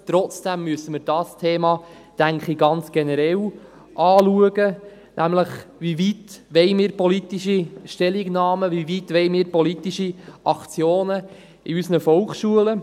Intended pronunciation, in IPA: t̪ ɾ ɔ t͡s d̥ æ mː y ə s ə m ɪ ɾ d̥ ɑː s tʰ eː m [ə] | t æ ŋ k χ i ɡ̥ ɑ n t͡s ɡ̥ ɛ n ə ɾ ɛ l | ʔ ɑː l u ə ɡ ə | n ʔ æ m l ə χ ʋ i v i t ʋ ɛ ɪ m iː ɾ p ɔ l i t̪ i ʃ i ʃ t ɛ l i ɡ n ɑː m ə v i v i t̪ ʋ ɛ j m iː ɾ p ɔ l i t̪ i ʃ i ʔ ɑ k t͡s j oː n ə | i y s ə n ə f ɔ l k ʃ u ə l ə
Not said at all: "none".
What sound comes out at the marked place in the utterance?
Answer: ɑ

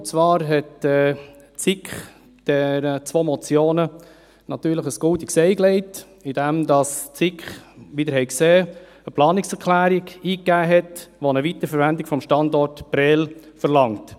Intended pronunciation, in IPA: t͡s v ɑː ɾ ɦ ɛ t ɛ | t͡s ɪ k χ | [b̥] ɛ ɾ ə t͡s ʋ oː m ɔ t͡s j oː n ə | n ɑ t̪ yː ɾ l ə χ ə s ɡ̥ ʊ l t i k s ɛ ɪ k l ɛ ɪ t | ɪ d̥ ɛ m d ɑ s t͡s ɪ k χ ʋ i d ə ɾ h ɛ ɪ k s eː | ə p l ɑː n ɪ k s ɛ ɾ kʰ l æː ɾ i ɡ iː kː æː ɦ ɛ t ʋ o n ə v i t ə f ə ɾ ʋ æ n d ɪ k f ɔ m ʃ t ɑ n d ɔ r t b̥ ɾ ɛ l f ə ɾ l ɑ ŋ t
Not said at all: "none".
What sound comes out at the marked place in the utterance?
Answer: d̥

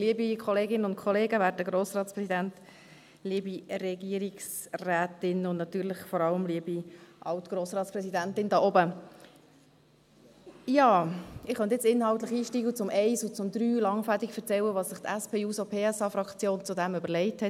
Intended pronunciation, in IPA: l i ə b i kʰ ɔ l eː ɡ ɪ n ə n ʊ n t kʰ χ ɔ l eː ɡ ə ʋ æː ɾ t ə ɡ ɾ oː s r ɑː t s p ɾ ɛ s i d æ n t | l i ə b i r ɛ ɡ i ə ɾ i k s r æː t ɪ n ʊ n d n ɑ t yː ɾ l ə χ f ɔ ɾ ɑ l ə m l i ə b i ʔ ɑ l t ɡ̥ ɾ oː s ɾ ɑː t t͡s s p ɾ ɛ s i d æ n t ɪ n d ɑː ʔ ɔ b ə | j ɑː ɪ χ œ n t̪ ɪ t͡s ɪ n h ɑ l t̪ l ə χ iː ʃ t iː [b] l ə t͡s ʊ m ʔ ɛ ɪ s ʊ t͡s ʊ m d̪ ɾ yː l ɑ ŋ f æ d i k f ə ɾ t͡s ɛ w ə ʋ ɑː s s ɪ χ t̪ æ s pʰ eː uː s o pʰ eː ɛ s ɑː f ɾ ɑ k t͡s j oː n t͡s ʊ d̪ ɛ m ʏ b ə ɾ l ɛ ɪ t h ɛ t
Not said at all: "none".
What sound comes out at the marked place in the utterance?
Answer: ɡ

